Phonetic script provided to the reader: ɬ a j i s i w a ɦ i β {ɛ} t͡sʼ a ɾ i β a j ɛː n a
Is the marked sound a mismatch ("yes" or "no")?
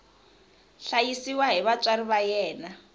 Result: yes